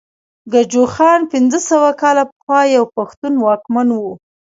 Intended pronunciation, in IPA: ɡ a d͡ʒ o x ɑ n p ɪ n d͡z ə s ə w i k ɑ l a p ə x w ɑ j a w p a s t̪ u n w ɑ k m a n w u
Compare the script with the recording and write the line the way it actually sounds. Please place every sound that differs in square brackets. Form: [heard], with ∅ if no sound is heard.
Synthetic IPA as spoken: ɡ a d͡ʒ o x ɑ n p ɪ n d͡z ə s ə w [a] k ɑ l a p ə x w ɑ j a w p a [x] t̪ u n w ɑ k m a n w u